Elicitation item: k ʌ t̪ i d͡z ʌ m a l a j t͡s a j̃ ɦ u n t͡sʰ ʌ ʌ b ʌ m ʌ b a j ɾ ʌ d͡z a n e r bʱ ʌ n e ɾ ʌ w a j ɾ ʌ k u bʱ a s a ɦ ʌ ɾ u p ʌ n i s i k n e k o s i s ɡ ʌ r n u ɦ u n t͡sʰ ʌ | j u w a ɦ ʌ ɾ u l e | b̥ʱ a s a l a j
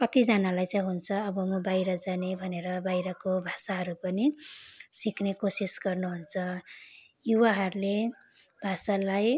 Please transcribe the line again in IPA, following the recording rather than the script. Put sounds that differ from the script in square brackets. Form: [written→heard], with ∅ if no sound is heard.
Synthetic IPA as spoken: k ʌ t̪ i d͡z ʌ [m→n] a l a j t͡s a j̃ ɦ u n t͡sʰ ʌ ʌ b ʌ m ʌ b a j ɾ ʌ d͡z a n e [r→∅] bʱ ʌ n e ɾ ʌ [w→b] a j ɾ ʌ k [u→o] bʱ a s a ɦ ʌ ɾ u p ʌ n i s i k n e k o s i s ɡ ʌ r n u ɦ u n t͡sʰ ʌ | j u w a ɦ ʌ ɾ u l e | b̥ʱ a s a l a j